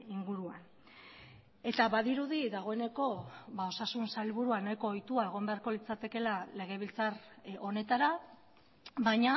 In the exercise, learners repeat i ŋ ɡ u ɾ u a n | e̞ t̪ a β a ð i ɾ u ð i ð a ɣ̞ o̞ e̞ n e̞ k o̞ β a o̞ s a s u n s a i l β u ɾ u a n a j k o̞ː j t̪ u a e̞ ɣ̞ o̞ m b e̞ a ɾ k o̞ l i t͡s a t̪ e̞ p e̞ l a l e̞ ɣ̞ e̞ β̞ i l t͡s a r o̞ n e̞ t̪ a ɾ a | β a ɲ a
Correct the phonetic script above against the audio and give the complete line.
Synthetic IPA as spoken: i ŋ ɡ u ɾ u a n | e̞ t̪ a β a ð i ɾ u ð i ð a ɣ̞ o̞ e̞ n e̞ k o̞ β a o̞ s a s u n s a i l β u ɾ u a n a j k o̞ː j t̪ u a e̞ ɣ̞ o̞ m b e̞ a ɾ k o̞ l i t͡s a t̪ e̞ k e̞ l a l e̞ ɣ̞ e̞ β̞ i l t͡s a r o̞ n e̞ t̪ a ɾ a | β a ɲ a